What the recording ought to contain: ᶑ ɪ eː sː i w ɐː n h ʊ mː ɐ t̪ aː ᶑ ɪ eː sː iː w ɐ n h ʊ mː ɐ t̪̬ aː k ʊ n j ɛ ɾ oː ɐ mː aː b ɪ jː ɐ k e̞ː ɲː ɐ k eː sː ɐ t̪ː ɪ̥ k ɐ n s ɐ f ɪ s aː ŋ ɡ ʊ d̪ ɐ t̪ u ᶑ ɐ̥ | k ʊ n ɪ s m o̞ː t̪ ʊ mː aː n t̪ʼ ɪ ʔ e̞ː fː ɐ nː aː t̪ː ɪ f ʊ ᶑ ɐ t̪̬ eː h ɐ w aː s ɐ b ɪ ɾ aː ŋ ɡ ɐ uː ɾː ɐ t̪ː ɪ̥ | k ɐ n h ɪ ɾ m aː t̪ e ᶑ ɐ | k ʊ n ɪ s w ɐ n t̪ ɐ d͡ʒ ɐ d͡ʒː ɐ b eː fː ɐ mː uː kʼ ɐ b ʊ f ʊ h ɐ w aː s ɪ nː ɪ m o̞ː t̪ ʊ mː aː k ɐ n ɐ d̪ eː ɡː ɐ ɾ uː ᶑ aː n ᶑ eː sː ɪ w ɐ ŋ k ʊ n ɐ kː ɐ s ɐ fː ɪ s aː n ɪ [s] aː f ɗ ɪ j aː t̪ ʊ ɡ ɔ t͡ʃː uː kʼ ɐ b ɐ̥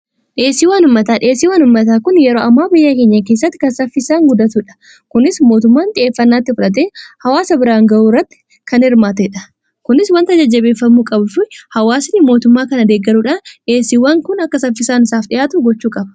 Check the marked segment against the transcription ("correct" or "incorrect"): correct